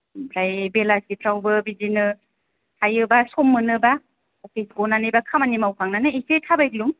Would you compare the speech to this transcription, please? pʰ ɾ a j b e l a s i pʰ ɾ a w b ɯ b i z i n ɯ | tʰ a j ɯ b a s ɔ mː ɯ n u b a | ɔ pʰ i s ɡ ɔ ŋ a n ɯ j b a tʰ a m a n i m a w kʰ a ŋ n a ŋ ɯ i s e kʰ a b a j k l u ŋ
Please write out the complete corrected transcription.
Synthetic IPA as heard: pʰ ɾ a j b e l a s i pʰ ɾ a w b ɯ b i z i n ɯ | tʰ a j ɯ b a s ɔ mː ɯ n ɯ b a | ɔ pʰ i s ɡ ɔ n a n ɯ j b a kʰ a m a n i m a w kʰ a ŋ n a n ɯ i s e tʰ a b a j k l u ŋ